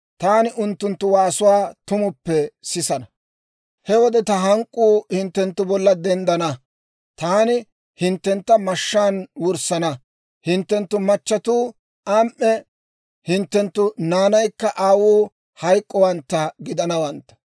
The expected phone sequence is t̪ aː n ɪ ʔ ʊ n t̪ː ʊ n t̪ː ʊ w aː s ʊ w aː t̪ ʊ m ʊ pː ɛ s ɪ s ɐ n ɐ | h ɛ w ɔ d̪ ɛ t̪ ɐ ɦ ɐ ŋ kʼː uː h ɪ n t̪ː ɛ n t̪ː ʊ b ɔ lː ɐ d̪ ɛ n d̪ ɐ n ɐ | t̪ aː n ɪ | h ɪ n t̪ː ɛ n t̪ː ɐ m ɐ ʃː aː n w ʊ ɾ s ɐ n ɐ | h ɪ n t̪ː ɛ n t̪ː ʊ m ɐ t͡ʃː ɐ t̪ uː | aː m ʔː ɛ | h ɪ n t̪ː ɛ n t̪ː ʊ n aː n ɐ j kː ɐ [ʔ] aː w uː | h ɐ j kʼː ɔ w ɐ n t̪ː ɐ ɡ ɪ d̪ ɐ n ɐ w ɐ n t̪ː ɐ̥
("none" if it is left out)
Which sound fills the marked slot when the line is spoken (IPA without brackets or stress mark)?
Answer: ʔ